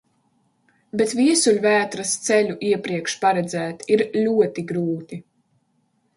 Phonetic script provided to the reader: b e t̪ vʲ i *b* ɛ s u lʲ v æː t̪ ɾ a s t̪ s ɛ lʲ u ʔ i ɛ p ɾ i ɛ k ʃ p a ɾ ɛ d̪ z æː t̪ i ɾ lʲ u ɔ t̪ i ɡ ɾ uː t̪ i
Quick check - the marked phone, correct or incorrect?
incorrect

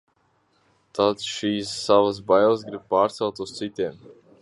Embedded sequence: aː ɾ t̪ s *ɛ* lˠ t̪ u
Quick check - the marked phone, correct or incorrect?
correct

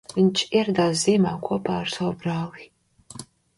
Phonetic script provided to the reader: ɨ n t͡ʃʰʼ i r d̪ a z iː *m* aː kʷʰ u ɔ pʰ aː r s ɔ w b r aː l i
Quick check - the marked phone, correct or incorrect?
correct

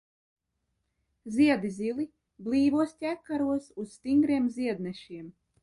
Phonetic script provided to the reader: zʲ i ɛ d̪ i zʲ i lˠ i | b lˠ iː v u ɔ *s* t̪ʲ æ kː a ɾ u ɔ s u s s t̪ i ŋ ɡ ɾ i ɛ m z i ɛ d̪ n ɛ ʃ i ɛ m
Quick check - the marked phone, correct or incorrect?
correct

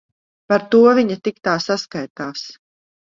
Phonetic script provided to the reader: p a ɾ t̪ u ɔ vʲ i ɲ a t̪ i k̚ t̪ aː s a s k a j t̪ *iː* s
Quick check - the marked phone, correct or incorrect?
incorrect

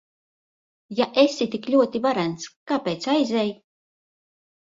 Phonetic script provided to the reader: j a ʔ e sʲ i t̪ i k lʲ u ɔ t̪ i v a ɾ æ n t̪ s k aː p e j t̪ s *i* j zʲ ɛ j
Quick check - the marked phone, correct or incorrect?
incorrect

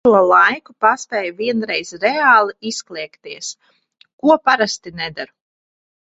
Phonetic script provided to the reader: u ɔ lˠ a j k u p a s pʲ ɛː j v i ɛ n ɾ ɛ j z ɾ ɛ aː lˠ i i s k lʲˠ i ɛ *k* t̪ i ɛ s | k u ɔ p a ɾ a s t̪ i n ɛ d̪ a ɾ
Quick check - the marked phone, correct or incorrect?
correct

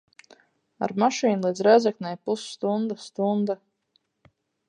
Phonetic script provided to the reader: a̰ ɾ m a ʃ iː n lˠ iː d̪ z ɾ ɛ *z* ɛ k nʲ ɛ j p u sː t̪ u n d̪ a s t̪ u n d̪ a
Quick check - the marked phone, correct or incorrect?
correct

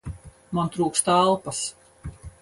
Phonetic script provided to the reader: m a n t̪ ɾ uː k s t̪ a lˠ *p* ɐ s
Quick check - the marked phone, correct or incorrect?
correct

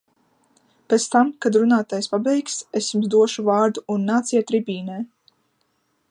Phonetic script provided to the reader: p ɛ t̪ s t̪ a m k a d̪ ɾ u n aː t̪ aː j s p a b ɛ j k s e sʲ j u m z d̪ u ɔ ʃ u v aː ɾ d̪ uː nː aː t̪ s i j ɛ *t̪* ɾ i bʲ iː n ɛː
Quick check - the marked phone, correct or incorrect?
correct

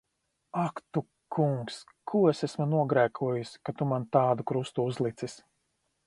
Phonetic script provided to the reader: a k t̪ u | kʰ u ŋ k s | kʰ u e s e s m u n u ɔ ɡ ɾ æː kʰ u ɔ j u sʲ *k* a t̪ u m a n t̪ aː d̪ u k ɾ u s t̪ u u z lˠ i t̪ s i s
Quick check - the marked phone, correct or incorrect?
correct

